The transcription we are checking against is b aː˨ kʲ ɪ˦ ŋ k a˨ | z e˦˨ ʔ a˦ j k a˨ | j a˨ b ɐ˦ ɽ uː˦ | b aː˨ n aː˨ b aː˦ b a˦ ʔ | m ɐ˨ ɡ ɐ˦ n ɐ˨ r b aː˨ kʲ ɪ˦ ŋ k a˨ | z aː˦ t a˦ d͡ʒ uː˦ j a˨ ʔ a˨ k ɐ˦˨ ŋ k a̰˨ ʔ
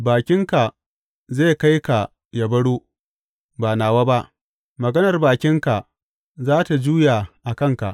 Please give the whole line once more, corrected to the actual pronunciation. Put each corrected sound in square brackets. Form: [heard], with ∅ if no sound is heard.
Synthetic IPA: b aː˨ kʲ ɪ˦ ŋ k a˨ | z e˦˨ [k] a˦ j k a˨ | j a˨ b ɐ˦ ɽ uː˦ | b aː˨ n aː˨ [w] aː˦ b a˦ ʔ | m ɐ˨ ɡ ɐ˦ n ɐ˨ r b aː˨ kʲ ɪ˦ ŋ k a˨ | z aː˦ t [a˨] d͡ʒ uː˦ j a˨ ʔ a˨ k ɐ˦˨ ŋ k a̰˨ ʔ